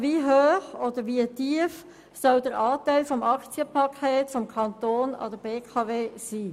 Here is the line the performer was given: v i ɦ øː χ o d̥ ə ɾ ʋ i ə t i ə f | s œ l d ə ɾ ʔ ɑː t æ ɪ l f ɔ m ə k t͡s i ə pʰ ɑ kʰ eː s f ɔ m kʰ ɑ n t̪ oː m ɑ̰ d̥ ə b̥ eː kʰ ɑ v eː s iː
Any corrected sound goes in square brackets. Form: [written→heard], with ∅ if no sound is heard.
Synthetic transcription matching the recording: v i ɦ øː χ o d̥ ə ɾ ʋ i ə t i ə f | s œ l d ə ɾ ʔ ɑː t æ ɪ l f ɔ m [ə→ɑ] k t͡s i ə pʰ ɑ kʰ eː [s→t] f ɔ m kʰ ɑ n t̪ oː [m→n] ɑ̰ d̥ ə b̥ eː kʰ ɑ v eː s iː